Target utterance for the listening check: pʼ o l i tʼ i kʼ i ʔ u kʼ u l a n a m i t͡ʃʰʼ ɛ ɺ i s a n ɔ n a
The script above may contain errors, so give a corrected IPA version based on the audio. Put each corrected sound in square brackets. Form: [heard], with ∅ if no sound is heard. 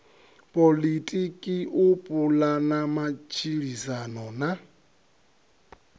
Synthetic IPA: pʼ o l i tʼ i kʼ i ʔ u [pʼ] u l a n a m [a] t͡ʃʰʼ [i] ɺ i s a n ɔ n a